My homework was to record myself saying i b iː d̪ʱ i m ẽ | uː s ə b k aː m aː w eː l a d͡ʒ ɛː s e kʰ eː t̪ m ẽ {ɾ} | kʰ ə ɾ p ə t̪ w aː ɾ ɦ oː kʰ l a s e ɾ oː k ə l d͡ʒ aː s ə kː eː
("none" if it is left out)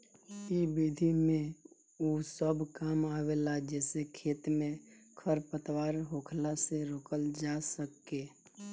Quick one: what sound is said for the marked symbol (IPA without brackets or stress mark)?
none